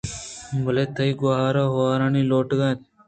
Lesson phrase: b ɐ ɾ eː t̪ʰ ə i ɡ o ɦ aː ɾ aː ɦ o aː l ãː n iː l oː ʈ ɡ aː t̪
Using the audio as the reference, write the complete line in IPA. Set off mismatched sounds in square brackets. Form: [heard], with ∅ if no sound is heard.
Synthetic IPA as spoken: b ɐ [l] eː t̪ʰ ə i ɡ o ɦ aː ɾ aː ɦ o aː [ɾ] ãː n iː l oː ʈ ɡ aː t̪